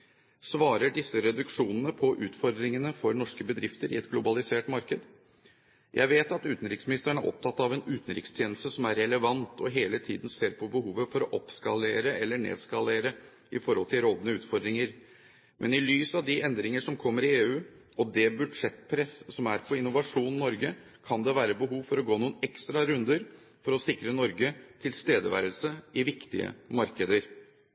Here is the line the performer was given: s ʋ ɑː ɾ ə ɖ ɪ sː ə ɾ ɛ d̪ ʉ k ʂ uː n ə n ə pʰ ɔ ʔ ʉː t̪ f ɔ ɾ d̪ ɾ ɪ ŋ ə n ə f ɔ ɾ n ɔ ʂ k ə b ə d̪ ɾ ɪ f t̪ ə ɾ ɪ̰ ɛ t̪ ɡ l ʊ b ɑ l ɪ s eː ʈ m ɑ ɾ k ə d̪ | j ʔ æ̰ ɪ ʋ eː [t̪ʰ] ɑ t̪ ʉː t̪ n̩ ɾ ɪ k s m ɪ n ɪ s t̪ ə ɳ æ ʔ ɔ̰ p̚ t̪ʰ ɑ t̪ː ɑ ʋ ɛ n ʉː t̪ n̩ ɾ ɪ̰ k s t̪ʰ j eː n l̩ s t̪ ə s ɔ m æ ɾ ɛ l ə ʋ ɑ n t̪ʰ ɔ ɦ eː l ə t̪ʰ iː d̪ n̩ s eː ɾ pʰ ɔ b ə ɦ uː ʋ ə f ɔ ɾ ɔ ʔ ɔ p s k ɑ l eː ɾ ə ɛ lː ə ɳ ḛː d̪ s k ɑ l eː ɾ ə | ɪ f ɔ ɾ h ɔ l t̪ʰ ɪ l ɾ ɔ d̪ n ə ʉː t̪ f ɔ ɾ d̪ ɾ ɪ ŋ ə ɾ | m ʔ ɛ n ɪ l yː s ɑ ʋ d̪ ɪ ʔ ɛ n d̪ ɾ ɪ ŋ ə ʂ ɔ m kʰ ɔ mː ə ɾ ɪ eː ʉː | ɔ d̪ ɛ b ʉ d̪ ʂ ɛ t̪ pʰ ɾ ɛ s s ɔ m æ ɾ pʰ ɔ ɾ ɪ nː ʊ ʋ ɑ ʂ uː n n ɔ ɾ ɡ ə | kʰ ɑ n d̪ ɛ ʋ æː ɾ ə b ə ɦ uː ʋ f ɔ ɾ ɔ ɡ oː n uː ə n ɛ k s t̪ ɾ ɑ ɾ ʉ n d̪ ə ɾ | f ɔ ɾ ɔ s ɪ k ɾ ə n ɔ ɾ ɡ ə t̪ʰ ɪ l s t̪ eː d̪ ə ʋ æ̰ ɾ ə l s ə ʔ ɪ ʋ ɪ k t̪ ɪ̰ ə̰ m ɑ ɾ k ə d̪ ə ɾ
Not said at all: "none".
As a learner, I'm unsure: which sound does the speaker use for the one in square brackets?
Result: t̪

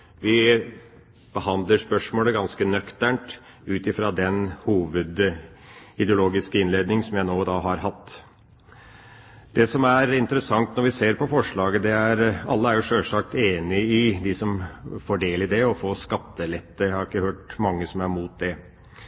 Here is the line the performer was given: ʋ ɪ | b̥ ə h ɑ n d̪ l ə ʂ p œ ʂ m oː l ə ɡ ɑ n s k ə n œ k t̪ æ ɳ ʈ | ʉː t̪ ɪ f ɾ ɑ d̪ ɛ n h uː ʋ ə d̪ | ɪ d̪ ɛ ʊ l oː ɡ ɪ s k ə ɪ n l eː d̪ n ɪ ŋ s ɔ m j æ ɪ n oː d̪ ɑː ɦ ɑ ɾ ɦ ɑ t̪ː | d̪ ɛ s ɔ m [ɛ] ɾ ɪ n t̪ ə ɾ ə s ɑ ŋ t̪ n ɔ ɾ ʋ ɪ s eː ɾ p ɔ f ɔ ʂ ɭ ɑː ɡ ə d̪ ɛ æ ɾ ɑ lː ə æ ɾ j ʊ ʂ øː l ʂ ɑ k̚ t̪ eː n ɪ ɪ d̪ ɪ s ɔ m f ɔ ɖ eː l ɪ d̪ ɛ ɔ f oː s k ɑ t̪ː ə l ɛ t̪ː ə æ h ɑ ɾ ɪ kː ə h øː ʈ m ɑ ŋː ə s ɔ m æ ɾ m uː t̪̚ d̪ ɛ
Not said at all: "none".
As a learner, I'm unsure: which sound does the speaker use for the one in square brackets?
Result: æ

